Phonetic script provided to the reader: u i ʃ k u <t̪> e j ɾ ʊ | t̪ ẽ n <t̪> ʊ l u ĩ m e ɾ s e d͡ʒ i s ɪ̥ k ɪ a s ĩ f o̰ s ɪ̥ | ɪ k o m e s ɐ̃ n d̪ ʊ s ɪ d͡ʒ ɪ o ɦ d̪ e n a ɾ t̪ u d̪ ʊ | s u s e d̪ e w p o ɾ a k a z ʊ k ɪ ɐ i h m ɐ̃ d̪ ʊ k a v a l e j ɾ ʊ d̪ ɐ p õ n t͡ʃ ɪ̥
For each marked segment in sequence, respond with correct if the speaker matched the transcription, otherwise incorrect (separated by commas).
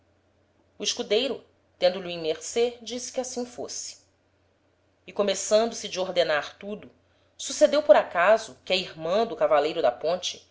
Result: incorrect, incorrect